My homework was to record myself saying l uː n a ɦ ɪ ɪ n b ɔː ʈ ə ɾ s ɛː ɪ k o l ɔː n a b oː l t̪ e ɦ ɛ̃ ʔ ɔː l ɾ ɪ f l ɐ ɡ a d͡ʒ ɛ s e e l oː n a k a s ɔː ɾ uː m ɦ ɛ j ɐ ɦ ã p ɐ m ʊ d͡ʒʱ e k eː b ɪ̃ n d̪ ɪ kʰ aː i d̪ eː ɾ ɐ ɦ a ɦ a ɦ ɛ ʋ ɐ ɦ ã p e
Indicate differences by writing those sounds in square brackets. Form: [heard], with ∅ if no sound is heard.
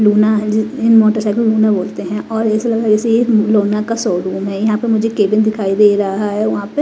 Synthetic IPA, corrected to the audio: l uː n a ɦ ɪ ɪ n [m] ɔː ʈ ə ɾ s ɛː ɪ k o l [uː] n a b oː l t̪ e ɦ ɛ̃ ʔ ɔː [∅] ɾ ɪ [s] l ɐ ɡ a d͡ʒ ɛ s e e l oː n a k a s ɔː ɾ uː m ɦ ɛ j ɐ ɦ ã p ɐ m ʊ d͡ʒʱ e k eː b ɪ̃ n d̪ ɪ kʰ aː i d̪ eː ɾ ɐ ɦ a ɦ a ɦ ɛ ʋ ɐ ɦ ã p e